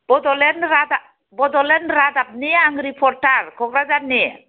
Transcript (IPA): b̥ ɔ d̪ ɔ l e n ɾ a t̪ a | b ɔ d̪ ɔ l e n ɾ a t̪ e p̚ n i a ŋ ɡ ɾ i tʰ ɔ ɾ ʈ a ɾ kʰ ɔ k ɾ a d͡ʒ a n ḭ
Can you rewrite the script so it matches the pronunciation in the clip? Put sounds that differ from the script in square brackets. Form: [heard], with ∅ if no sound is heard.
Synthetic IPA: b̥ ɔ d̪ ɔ l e n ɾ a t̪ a | b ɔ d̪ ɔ l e n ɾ a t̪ [a] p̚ n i a ŋ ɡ ɾ i [pʰ] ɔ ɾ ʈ a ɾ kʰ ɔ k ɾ a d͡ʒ a n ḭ